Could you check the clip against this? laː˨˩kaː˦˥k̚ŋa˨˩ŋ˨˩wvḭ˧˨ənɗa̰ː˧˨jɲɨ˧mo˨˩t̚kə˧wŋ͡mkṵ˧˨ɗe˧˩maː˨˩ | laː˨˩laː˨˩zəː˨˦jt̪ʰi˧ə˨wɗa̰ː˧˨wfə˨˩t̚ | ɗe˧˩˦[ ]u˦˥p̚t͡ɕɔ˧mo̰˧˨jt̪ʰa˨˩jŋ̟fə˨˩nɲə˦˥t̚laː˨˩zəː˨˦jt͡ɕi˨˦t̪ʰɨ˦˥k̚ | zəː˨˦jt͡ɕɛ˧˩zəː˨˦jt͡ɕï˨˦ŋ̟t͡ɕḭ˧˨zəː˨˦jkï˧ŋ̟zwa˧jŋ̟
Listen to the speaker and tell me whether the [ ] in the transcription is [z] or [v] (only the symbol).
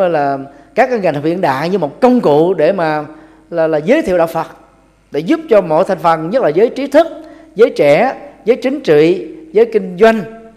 z